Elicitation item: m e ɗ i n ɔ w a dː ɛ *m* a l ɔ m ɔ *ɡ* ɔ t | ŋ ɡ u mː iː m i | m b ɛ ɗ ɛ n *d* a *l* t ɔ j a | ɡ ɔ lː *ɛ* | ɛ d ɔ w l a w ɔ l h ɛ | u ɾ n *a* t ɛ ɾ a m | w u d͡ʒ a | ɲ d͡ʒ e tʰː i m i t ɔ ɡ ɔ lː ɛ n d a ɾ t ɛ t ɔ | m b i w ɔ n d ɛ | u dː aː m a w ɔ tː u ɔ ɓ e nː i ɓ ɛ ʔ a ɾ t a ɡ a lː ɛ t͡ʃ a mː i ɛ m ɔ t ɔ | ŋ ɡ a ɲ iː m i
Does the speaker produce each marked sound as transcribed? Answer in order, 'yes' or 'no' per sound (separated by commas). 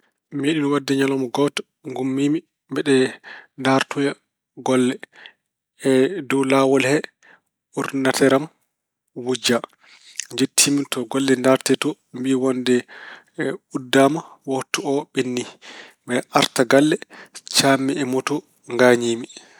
no, yes, yes, no, yes, yes